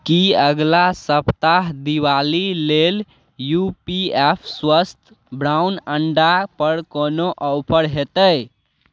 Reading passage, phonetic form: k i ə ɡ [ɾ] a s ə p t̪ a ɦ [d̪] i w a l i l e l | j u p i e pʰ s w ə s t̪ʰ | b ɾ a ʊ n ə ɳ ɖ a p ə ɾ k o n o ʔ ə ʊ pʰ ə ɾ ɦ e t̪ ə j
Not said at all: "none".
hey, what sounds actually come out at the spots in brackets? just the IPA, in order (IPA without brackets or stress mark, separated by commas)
l, d̪